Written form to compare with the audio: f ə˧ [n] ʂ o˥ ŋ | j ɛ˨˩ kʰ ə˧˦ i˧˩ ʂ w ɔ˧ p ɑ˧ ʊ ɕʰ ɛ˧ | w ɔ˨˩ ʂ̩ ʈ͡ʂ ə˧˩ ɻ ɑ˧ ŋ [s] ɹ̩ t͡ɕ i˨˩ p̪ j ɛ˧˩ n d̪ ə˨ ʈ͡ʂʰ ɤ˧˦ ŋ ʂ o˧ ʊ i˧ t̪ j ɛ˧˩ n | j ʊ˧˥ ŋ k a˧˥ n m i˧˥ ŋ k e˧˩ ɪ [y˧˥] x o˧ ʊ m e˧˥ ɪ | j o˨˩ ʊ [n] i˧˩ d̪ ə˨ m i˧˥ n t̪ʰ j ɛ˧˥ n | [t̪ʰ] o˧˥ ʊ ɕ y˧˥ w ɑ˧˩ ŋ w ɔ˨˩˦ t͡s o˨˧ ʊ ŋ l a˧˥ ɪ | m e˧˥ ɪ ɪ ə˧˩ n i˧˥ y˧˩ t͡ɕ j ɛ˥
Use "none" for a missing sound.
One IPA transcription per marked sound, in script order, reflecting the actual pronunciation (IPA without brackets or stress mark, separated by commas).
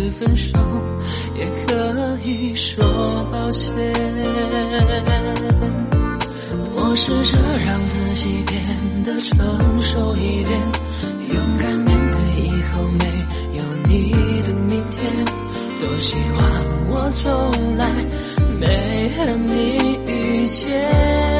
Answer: n, t͡s, i˧˥, n, t̪